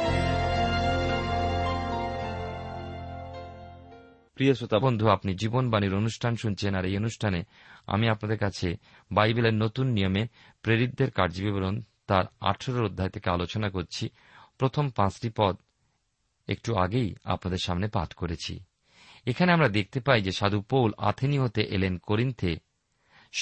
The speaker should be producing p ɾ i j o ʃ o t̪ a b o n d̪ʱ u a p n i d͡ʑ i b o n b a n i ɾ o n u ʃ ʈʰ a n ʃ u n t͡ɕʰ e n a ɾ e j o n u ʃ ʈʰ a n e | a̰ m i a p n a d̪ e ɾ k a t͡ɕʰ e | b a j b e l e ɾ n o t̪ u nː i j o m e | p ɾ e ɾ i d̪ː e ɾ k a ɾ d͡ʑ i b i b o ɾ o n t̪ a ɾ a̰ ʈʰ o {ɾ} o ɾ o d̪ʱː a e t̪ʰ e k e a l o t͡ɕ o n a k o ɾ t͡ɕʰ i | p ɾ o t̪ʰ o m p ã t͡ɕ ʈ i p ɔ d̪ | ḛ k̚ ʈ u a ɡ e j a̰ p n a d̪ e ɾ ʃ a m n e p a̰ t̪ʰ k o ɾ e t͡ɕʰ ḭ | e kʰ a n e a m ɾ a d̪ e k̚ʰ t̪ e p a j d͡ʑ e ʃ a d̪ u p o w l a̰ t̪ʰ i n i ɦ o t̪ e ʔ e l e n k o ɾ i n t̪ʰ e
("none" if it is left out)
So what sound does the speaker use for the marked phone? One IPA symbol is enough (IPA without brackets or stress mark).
ɾ